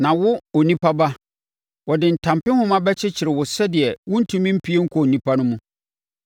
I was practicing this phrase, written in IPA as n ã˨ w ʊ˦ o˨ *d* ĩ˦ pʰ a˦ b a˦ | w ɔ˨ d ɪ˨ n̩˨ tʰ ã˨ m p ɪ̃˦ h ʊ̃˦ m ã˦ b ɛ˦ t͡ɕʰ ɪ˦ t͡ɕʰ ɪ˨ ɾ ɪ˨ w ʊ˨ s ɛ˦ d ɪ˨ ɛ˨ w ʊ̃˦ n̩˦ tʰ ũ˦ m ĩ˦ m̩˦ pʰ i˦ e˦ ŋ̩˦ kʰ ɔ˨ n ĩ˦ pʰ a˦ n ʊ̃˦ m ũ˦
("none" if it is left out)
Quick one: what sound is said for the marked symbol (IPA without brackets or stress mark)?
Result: n